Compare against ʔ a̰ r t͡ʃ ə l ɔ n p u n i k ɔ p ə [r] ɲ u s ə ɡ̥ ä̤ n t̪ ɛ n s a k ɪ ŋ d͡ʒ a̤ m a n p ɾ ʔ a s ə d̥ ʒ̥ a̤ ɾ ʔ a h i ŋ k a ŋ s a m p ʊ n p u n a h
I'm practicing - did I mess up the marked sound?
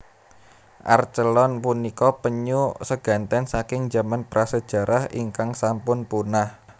yes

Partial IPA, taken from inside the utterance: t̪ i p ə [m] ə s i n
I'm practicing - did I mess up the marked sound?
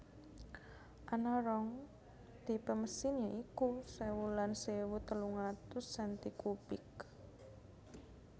no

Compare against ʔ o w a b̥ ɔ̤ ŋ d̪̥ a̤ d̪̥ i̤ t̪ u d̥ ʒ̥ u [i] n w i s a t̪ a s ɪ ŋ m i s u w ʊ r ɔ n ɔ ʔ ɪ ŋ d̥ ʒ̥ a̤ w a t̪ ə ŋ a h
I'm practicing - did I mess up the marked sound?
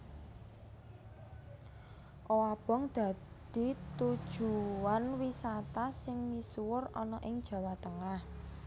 yes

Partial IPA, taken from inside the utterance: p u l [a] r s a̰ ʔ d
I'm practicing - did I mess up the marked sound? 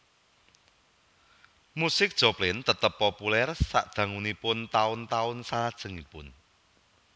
yes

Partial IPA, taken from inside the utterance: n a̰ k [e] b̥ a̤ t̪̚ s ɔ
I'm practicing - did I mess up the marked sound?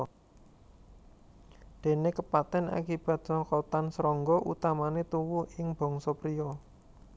yes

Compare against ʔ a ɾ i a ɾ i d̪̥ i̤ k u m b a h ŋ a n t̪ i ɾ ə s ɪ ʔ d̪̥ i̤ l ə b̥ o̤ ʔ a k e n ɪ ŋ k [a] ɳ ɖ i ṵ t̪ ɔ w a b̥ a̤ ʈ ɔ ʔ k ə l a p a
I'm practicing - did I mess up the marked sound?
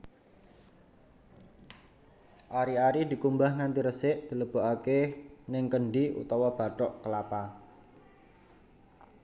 yes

